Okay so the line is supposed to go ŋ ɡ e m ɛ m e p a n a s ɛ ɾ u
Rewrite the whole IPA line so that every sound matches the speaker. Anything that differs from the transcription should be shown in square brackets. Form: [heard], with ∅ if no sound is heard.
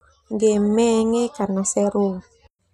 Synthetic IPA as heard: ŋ ɡ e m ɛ [ŋ] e [k] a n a s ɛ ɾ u

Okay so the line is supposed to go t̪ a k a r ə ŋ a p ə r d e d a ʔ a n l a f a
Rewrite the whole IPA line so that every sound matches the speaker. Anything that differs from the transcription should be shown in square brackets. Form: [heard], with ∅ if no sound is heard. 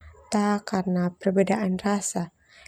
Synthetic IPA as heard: t̪ a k a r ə [n] a p ə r [b] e d a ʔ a n [r] a [s] a

